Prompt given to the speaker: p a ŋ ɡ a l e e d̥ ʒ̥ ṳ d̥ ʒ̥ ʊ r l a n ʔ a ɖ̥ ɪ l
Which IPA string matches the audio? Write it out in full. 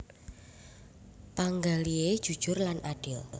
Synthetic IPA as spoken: p a ŋ ɡ a l i e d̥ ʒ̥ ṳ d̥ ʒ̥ ʊ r l a n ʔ a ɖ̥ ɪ l